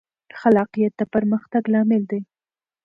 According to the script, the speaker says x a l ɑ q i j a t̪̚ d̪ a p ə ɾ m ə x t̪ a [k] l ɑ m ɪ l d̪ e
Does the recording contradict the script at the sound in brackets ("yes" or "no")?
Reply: yes